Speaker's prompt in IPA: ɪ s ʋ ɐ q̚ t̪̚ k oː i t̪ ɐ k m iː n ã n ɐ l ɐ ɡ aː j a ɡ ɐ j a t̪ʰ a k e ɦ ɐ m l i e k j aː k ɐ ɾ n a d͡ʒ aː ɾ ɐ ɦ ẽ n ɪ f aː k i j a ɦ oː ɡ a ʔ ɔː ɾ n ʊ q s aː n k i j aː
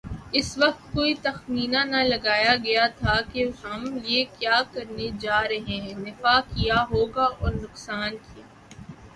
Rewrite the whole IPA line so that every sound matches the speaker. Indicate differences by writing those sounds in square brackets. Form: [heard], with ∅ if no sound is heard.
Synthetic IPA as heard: ɪ s ʋ ɐ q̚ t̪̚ k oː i t̪ ɐ [x] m iː n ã n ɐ l ɐ ɡ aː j a ɡ ɐ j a t̪ʰ a k e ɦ ɐ m l i e k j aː k ɐ ɾ n [e] d͡ʒ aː ɾ ɐ ɦ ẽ n ɪ f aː k i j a ɦ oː ɡ a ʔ ɔː ɾ n ʊ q s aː n k i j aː